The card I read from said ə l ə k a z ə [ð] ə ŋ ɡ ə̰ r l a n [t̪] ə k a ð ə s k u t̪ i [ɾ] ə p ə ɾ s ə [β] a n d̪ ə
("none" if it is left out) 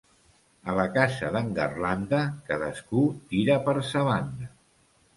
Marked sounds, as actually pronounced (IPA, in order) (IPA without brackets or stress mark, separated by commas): ð, d̪, ɾ, β